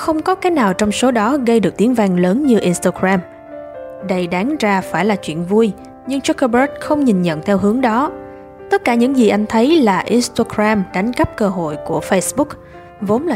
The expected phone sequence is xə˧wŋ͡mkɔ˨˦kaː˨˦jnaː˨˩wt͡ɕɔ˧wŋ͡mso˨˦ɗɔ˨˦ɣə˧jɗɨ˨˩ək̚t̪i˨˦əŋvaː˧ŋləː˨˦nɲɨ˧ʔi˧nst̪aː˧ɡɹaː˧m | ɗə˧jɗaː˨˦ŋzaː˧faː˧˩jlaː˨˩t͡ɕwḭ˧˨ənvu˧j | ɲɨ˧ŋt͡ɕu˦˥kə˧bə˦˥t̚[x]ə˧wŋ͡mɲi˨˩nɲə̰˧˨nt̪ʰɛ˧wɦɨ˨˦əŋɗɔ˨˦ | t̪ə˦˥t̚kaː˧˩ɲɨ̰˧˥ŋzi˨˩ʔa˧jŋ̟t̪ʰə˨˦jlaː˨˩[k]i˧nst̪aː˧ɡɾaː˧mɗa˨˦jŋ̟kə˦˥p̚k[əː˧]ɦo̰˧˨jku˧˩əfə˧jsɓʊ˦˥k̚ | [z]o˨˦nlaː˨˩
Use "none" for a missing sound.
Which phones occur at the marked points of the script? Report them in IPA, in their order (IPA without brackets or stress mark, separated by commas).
x, ʔ, əː˧, v